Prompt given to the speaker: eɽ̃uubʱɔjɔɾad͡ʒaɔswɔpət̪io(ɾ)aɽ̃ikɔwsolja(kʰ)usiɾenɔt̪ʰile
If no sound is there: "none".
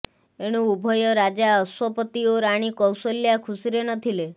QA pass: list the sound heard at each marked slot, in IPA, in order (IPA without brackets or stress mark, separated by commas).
ɾ, kʰ